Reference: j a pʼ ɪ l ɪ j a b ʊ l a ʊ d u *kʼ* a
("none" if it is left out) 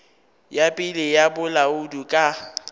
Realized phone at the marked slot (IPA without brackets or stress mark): kʼ